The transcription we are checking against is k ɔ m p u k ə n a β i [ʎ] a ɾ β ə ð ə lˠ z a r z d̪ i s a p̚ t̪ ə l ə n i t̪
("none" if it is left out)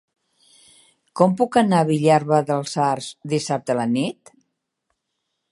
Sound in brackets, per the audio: ʎ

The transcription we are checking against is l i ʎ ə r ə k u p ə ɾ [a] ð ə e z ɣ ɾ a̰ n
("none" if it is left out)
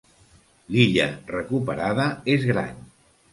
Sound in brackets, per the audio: a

